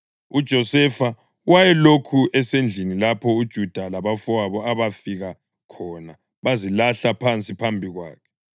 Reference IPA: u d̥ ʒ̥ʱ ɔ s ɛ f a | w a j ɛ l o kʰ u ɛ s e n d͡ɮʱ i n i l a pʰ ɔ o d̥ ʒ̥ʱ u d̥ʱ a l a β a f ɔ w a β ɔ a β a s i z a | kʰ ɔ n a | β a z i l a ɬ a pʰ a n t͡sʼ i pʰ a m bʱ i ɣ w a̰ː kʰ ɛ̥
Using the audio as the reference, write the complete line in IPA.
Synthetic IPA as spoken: u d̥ ʒ̥ʱ ɔ s ɛ f a | w a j ɛ l o kʰ u ɛ s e n d͡ɮʱ i n i l a pʰ ɔ u d̥ ʒ̥ʱ u d̥ʱ a l a β a f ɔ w a β ɔ a β a f i ɣ a | kʰ ɔ n a | β a z i l a ɬ a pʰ a n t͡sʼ i pʰ a m bʱ i ɣ w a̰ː kʰ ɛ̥